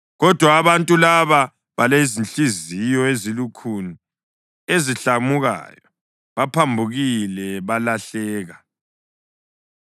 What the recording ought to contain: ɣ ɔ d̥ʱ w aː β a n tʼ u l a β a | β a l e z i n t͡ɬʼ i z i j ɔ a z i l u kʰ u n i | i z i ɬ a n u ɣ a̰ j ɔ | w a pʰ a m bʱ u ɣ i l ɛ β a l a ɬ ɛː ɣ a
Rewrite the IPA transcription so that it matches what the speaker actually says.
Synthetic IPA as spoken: ɣ ɔ d̥ʱ w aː β a n tʼ u l a β a | β a l e z i n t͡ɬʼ i z i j ɔ e z i l u kʰ u n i | e z i ɬ a m u ɣ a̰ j ɔ | β a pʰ a m bʱ u ɣ i l ɛ β a l a ɬ ɛː ɣ a